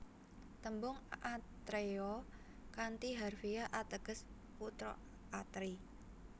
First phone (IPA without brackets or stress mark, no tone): t̪